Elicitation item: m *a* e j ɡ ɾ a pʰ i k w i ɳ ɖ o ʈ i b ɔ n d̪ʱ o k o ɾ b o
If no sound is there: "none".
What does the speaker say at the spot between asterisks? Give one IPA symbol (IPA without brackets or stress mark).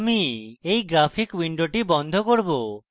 i